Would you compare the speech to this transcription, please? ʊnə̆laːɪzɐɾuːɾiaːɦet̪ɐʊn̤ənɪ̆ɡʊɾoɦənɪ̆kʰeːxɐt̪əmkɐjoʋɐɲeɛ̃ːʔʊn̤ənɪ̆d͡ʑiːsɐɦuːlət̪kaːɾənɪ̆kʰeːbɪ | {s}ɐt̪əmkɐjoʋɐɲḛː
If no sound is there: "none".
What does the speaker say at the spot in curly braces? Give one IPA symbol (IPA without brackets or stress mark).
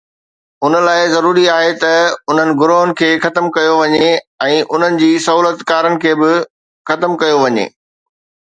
x